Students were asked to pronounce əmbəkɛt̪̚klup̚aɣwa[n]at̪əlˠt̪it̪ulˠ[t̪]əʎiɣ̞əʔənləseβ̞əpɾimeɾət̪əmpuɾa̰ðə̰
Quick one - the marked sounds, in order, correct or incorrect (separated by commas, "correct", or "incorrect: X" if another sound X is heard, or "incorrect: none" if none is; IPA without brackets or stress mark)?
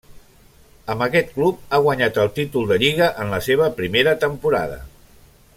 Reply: incorrect: ɲ, incorrect: d̪